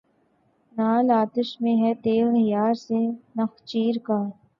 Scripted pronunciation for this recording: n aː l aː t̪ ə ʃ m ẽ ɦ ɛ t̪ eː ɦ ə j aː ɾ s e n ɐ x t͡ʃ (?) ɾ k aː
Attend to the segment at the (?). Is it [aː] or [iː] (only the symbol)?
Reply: iː